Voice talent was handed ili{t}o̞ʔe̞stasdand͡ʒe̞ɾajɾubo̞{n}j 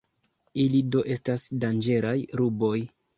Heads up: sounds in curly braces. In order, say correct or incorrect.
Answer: incorrect, incorrect

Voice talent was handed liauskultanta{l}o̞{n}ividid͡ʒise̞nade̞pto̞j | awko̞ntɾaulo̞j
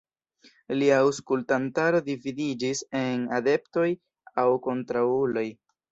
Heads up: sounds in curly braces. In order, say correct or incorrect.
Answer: incorrect, incorrect

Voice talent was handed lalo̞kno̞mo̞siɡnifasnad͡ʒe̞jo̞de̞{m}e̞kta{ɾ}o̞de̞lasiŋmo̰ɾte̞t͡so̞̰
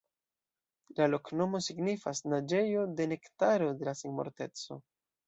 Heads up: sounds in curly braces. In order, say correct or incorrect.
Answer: incorrect, correct

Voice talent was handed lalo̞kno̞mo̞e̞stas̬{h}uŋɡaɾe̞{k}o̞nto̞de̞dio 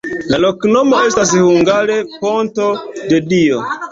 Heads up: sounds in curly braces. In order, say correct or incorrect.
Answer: correct, incorrect

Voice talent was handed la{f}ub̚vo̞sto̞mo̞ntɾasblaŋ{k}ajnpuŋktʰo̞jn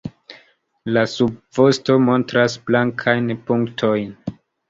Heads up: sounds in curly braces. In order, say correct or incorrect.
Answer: incorrect, incorrect

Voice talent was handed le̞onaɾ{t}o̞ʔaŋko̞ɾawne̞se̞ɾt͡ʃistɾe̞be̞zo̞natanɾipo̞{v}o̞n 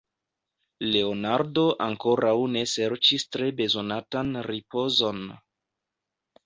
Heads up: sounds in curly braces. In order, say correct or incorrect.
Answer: incorrect, incorrect

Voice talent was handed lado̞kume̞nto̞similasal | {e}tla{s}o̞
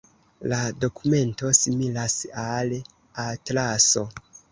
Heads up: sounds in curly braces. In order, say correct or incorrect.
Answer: incorrect, correct

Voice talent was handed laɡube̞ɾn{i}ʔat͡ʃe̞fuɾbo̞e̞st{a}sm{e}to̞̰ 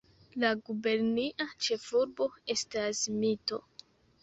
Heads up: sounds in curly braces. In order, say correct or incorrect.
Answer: correct, correct, incorrect

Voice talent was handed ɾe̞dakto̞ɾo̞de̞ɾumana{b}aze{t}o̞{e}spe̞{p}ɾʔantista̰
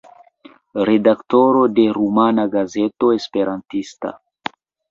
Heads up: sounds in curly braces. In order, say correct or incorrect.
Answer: incorrect, correct, correct, incorrect

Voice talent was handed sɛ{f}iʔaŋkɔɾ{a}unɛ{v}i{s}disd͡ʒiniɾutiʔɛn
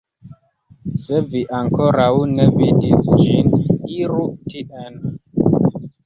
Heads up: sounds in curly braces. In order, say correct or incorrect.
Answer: incorrect, correct, correct, incorrect

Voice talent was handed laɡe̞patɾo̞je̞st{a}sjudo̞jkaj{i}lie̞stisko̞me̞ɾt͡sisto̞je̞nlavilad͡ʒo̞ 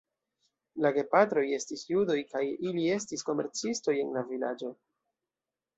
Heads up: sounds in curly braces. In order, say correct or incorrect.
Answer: incorrect, correct

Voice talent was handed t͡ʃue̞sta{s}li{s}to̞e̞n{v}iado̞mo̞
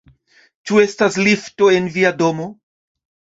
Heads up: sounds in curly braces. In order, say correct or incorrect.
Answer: correct, incorrect, correct

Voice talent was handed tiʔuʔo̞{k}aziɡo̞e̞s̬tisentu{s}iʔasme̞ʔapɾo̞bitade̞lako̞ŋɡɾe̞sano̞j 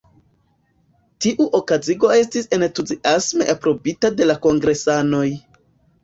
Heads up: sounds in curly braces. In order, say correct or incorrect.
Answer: correct, incorrect

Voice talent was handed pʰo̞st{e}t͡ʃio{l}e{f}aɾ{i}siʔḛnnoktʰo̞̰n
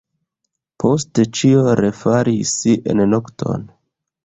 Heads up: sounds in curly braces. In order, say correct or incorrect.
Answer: correct, incorrect, correct, correct

